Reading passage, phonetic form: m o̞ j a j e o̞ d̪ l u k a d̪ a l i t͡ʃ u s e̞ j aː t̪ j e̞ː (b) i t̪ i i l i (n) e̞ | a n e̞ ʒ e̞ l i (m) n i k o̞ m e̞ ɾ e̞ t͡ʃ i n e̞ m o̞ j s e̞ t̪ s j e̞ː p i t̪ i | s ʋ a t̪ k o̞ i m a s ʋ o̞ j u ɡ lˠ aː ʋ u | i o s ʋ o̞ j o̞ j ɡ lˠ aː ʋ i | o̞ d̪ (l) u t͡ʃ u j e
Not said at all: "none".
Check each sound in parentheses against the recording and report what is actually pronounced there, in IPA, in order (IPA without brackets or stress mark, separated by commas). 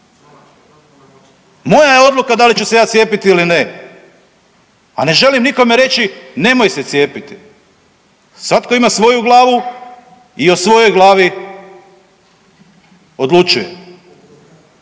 p, n, m, l